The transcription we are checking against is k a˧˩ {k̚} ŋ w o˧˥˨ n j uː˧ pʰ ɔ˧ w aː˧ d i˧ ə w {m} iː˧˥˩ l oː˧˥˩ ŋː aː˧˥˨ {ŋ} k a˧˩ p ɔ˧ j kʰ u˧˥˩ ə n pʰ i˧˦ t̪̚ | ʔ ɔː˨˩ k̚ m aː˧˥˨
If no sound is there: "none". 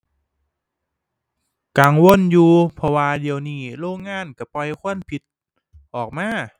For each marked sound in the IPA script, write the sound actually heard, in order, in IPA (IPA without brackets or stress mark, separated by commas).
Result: none, n, n